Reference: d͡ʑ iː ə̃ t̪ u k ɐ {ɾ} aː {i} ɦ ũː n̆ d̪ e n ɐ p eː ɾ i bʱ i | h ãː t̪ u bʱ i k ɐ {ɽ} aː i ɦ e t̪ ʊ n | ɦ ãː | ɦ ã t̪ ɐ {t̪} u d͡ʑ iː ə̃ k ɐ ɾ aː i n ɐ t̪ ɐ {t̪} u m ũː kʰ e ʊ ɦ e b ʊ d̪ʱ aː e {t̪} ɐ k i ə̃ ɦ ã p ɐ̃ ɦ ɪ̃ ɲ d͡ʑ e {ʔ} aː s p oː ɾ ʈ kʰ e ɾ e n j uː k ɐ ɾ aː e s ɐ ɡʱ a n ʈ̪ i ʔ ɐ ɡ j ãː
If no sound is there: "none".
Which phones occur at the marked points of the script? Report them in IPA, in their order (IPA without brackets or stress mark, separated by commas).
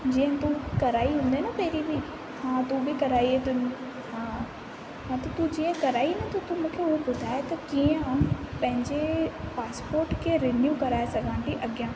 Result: ɾ, i, ɾ, t̪, t̪, t̪, p